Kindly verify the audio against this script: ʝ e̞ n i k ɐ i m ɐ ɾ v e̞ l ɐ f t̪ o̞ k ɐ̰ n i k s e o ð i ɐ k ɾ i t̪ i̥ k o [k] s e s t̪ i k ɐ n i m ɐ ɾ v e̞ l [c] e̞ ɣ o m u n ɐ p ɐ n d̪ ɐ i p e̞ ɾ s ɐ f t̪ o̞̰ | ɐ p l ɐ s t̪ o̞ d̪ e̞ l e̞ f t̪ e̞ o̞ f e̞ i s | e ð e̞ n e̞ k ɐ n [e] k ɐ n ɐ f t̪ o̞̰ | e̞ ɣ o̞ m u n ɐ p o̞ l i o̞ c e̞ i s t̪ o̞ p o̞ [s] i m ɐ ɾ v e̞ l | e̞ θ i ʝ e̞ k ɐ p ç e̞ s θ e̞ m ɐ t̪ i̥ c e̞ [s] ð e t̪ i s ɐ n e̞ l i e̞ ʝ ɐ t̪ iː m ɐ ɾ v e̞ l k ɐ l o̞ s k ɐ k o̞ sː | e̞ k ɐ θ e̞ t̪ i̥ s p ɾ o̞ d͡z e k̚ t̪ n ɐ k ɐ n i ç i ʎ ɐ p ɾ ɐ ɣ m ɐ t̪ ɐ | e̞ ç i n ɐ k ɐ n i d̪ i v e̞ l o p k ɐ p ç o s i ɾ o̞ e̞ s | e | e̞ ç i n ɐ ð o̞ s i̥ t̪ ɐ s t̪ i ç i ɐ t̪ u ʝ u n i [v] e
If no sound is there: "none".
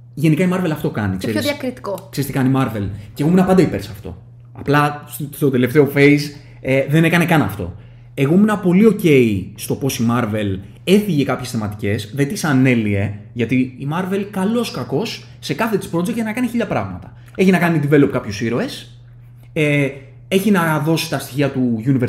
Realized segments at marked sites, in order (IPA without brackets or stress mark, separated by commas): k, c, e, s, s, v